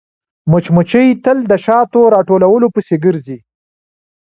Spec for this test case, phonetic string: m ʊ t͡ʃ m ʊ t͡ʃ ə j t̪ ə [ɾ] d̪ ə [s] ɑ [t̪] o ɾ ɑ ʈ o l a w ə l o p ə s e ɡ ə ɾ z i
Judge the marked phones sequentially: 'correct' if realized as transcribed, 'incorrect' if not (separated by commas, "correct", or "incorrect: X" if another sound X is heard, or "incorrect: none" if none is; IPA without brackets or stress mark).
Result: incorrect: l, incorrect: ʃ, correct